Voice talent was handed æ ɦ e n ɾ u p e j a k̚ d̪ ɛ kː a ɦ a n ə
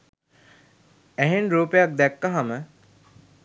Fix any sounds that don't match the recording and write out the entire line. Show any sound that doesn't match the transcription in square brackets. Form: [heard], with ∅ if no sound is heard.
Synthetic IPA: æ ɦ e n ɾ [uː] p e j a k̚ d̪ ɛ kː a ɦ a [m] ə